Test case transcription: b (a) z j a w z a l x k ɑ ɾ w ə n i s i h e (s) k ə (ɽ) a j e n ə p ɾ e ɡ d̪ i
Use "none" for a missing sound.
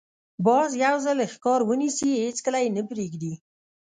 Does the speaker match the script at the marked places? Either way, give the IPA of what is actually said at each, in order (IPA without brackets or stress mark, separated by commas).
ɑ, t͡s, l